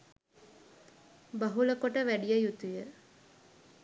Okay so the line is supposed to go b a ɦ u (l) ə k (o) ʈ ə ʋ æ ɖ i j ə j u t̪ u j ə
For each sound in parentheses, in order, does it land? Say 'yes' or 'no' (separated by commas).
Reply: yes, yes